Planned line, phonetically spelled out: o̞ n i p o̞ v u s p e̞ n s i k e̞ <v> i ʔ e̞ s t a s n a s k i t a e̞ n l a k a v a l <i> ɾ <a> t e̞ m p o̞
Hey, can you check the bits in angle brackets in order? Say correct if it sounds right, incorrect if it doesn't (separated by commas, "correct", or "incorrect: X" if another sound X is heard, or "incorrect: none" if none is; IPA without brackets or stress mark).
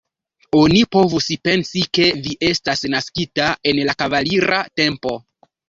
correct, correct, correct